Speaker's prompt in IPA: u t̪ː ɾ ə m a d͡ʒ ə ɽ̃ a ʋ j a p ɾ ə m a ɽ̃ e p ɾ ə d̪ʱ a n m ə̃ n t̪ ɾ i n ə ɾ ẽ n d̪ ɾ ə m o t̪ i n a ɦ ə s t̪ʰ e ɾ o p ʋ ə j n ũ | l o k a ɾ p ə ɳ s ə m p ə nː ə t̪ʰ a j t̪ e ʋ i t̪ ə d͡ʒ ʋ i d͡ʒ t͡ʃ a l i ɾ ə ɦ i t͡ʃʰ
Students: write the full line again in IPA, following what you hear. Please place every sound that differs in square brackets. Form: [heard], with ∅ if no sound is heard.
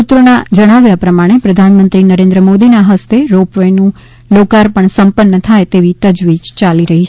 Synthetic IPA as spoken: u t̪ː ɾ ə [n] a d͡ʒ ə ɽ̃ a ʋ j a p ɾ ə m a ɽ̃ e p ɾ ə d̪ʱ a n m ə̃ n t̪ ɾ i n ə ɾ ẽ n d̪ ɾ ə m o [d̪] i n a ɦ ə s [t̪] e ɾ o p ʋ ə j n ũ | l o k a ɾ p ə ɳ s ə m p ə nː ə t̪ʰ a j t̪ e ʋ i t̪ ə d͡ʒ ʋ i d͡ʒ t͡ʃ a l i ɾ ə ɦ i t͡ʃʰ